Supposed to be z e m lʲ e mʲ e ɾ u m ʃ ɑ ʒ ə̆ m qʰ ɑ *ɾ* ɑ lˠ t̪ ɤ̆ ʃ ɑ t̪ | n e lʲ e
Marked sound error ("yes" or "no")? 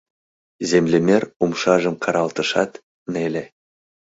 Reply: no